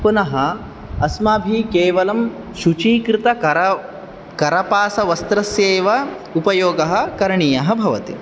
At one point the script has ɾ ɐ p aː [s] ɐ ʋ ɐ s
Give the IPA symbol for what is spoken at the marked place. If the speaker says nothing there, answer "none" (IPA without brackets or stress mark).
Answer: s